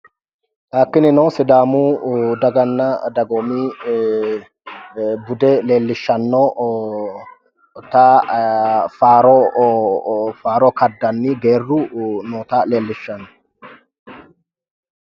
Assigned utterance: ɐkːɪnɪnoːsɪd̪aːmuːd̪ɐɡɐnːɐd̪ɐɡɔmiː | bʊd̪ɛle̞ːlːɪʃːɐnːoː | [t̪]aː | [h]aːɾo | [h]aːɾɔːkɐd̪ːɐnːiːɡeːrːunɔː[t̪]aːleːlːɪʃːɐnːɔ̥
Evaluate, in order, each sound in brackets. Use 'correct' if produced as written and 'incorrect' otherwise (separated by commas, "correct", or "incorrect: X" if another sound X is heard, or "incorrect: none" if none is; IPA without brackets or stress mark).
correct, incorrect: f, incorrect: f, correct